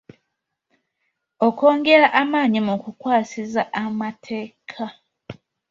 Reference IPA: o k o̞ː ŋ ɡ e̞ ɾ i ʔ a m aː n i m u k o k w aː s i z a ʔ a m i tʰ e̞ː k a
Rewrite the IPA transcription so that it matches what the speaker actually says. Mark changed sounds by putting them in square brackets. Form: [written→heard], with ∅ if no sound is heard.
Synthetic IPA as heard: o k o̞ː ŋ ɡ e̞ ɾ [i→a] ʔ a m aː [n→ɲ] i m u k [o→u] k w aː s i z a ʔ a m [i→a] tʰ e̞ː [k→kʰ] a